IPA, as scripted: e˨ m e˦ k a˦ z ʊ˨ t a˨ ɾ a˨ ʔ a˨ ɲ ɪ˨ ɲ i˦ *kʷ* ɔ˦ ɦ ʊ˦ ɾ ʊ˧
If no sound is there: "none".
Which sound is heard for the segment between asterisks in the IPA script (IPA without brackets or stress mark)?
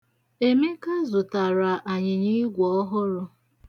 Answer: ɡʷ